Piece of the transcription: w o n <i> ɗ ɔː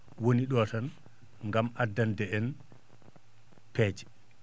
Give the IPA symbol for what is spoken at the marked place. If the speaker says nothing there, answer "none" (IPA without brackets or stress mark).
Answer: i